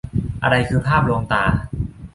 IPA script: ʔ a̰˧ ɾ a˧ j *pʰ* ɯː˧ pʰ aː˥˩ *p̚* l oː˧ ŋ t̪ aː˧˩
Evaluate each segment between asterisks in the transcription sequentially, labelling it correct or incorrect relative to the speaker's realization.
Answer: incorrect: kʰ, correct

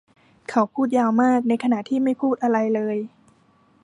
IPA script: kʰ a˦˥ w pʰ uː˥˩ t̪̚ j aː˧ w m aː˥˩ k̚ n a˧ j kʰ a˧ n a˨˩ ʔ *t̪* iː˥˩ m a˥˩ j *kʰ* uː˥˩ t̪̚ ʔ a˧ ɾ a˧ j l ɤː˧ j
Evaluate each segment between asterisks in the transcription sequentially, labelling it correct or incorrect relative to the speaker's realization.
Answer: incorrect: t̪ʰ, incorrect: pʰ

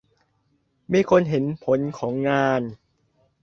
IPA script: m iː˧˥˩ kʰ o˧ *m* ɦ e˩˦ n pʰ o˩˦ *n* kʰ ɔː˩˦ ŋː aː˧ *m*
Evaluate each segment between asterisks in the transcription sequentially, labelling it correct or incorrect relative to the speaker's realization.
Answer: incorrect: n, correct, incorrect: n

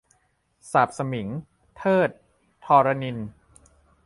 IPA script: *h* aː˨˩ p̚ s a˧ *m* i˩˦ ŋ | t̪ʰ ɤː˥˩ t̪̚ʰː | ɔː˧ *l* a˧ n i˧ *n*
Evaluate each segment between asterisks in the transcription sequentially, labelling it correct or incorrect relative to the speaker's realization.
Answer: incorrect: s, correct, incorrect: ɾ, correct

